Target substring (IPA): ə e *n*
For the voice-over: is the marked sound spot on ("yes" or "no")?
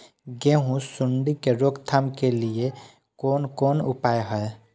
no